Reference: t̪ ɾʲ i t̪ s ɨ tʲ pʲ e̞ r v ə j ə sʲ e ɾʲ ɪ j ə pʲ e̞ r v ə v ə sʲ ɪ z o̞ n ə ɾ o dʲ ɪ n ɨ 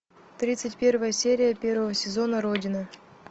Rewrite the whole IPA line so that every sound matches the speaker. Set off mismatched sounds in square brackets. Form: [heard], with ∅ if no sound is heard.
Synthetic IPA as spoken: t̪ ɾʲ i t̪ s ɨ tʲ pʲ e̞ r v ə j ə sʲ e ɾʲ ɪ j ə pʲ e̞ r v ə v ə sʲ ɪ z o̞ n ə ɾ o dʲ ɪ n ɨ